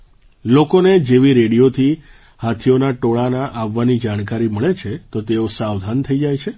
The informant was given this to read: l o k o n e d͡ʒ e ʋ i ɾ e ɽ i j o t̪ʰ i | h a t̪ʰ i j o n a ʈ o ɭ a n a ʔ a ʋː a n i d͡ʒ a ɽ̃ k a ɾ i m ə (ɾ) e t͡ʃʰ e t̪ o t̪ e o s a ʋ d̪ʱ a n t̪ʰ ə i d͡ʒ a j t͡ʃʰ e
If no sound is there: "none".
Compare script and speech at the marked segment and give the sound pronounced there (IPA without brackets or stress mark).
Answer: ɭ